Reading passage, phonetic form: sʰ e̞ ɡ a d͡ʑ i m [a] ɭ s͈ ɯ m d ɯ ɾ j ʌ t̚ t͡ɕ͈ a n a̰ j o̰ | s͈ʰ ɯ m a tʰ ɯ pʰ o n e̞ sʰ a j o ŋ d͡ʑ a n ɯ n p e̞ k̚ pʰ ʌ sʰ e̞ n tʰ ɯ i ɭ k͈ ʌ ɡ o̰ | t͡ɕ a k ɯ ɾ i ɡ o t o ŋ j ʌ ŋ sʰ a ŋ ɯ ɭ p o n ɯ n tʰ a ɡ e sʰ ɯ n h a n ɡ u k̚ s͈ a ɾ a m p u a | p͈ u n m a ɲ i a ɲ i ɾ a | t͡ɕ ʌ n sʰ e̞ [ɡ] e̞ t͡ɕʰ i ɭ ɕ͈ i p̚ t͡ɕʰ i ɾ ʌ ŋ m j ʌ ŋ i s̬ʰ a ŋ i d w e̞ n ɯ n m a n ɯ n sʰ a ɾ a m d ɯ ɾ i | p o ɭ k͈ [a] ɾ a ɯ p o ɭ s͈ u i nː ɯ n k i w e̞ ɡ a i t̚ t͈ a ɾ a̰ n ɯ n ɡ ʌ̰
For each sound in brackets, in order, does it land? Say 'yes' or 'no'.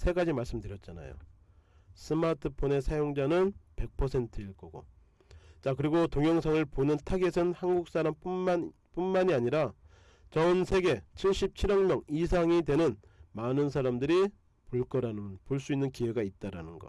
yes, yes, no

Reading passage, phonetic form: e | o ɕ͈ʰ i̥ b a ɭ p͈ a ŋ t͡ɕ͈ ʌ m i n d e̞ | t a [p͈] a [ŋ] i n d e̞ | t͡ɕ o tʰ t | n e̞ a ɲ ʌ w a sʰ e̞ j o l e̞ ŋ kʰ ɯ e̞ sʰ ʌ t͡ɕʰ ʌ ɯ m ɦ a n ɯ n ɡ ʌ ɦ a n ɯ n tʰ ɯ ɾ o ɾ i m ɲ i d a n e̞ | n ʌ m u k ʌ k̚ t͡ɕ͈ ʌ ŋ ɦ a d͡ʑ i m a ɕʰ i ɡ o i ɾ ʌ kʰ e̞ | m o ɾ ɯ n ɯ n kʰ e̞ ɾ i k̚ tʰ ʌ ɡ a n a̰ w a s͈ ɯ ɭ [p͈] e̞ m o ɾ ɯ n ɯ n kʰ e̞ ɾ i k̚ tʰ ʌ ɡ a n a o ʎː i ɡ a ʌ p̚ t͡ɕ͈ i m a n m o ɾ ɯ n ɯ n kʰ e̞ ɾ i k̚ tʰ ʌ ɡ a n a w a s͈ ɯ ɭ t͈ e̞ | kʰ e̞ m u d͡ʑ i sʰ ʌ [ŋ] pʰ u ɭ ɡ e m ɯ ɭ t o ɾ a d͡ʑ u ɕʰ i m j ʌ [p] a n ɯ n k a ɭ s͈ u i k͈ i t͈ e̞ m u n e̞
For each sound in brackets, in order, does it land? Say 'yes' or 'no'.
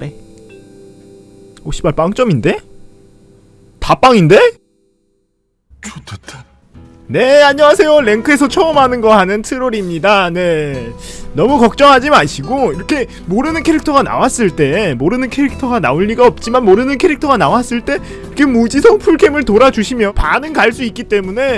yes, yes, no, yes, yes

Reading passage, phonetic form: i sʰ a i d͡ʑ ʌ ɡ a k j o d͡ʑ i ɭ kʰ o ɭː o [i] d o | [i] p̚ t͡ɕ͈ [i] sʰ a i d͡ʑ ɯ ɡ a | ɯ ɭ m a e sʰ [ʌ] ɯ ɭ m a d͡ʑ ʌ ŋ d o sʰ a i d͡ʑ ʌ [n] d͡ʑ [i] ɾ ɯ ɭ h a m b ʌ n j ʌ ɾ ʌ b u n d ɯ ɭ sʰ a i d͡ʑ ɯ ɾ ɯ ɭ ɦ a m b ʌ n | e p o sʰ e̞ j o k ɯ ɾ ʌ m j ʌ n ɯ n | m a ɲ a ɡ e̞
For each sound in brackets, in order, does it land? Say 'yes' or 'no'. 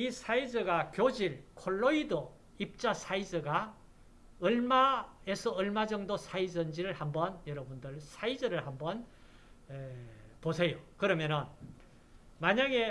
yes, yes, no, yes, yes, yes

